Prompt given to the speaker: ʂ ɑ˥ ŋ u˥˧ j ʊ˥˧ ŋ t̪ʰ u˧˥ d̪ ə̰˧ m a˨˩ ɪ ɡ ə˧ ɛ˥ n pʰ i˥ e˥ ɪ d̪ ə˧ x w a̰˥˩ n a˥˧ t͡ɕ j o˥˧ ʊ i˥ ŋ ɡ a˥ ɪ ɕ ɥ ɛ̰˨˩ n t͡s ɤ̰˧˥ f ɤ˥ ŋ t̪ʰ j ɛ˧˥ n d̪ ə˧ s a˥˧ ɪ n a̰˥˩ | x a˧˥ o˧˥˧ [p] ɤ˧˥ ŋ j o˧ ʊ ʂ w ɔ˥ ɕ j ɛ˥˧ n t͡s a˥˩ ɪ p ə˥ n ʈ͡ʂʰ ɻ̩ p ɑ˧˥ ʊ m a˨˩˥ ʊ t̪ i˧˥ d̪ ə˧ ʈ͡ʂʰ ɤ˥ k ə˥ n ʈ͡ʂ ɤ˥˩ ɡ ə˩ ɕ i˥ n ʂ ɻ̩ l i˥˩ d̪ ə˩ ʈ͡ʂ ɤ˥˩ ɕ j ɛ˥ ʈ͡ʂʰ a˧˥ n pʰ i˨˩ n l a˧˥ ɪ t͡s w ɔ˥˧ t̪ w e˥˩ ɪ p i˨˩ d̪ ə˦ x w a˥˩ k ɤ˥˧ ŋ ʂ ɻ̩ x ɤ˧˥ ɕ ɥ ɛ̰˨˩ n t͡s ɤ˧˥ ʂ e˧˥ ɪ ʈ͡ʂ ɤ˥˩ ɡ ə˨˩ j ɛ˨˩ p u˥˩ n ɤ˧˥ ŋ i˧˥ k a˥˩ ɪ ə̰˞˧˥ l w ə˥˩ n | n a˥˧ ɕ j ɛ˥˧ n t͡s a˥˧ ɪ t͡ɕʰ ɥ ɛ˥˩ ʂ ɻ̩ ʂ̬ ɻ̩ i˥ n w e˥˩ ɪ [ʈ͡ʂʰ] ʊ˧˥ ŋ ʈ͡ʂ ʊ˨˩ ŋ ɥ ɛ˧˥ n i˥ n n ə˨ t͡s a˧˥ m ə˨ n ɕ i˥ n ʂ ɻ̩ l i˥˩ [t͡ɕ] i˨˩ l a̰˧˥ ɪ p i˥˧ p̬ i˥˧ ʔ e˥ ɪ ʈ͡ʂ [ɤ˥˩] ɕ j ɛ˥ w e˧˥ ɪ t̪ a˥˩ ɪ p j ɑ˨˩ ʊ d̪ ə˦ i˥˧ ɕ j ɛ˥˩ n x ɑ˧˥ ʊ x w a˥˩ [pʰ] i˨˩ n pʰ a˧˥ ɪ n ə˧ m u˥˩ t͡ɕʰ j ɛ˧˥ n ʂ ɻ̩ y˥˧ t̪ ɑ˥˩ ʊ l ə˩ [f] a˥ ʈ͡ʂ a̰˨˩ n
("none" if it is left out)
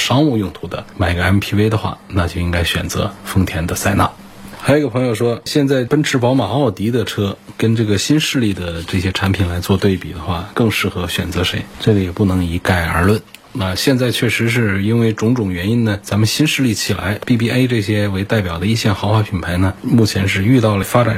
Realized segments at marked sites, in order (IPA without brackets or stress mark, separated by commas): pʰ, ʈ͡ʂ, t͡ɕʰ, ɤ˥˩, pʰ, f